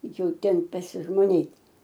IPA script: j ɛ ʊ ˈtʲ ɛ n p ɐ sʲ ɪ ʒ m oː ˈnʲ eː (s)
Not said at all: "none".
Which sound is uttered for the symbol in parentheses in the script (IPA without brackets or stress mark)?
t